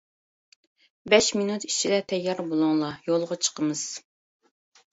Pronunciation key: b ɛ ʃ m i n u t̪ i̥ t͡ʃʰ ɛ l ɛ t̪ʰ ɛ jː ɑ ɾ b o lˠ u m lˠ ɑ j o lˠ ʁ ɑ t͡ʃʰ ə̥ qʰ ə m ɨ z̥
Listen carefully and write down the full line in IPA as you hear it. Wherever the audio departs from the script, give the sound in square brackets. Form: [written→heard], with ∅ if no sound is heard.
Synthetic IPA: b ɛ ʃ m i n u t̪ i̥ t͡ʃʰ [ɛ→i] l ɛ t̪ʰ ɛ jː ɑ ɾ b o lˠ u [m→ŋ] lˠ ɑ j o lˠ ʁ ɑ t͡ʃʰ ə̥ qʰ ə m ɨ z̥